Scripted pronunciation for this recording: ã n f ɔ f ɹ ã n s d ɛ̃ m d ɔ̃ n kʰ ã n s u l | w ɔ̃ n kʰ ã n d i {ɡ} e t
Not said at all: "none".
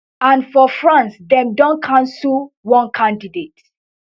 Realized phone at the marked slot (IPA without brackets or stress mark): d